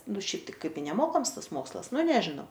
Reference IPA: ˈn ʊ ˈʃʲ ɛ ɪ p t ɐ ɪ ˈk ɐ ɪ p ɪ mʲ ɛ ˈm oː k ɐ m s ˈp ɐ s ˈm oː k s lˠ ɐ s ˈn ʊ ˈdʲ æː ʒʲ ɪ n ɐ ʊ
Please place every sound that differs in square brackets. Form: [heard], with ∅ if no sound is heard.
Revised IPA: ˈn ʊ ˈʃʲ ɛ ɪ p t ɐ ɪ ˈk ɐ ɪ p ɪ [nʲ] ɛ ˈm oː k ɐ m s [ˈt] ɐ s ˈm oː k s lˠ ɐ s ˈn ʊ [ˈnʲ] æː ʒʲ ɪ n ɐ ʊ